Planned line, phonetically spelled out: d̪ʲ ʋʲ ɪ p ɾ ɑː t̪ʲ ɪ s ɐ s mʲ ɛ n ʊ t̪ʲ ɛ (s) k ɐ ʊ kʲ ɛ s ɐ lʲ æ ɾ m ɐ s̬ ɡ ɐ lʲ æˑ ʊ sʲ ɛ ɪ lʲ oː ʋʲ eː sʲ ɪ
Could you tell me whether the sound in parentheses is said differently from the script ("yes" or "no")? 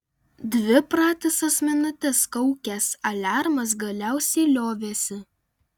no